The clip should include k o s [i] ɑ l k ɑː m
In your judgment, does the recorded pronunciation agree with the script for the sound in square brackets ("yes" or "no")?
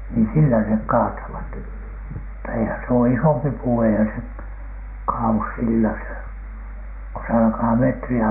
no